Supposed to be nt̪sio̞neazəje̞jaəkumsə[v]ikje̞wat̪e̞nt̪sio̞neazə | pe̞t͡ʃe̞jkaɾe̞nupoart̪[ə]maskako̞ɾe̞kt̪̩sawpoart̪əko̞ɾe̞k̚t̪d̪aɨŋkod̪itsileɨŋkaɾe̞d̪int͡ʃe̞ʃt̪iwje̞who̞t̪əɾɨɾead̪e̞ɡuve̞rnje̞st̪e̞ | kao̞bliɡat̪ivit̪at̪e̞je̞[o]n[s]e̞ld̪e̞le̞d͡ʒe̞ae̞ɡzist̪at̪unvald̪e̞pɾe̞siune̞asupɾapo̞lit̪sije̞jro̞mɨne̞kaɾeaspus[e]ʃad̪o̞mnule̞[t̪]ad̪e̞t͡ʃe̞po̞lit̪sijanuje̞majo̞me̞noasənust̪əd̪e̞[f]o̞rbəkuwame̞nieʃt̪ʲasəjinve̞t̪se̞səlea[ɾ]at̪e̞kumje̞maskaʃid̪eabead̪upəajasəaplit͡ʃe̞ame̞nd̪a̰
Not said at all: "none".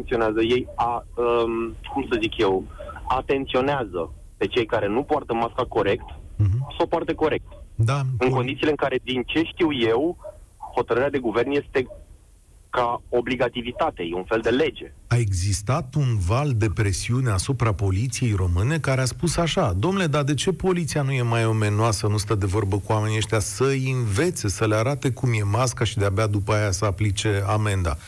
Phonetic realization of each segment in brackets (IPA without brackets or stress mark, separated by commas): z, ə, u, f, a, d̪, v, ɾ